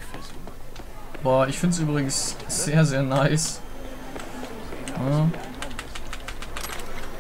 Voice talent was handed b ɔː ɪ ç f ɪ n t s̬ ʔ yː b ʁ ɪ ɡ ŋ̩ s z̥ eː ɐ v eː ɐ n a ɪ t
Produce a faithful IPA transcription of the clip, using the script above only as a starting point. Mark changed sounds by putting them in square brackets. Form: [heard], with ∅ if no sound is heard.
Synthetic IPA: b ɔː ɪ ç f ɪ n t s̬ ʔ yː b ʁ ɪ ɡ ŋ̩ s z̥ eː ɐ [z] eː ɐ n a ɪ [s]